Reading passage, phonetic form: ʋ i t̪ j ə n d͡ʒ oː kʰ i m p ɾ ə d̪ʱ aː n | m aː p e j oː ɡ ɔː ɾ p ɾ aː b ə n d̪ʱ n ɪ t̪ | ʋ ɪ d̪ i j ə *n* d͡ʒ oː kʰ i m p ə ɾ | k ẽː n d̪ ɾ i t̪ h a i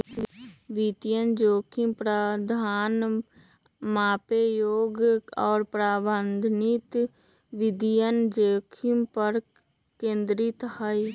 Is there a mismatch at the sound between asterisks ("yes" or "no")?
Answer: no